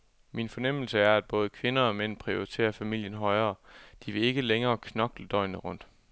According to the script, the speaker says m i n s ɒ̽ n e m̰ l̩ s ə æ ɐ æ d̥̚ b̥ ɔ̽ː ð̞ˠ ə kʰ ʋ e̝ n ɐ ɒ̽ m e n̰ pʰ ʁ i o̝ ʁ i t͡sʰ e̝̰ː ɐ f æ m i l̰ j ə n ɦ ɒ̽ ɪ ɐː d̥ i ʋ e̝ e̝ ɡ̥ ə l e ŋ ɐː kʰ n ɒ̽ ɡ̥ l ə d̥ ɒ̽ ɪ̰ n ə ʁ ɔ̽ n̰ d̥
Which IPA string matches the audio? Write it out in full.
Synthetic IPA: m i n f ɒ̽ n e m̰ l̩ s ə æ ɐ æ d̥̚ b̥ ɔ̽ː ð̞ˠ ə kʰ ʋ e̝ n ɐ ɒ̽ m e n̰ pʰ ʁ i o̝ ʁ i t͡sʰ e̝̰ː ɐ f æ m i l̰ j ə n ɦ ɒ̽ ɪ ɐː d̥ i ʋ e̝ e̝ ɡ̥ ə l e ŋ ɐː kʰ n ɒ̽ ɡ̥ l ə d̥ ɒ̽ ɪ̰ n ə ʁ ɔ̽ n̰ d̥